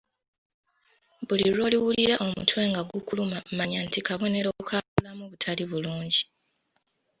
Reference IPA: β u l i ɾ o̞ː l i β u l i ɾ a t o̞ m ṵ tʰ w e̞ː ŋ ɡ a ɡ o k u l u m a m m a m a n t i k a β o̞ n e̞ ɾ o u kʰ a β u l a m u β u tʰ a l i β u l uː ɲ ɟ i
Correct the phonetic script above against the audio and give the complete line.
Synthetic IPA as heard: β u l i ɾ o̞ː l i w u l i ɾ a ʔ o̞ m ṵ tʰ w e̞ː ŋ ɡ a ɡ u k u l u m a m m a ɲ a n t i k a β o̞ n e̞ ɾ o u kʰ a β u l a m u β u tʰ a l i β u l uː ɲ ɟ i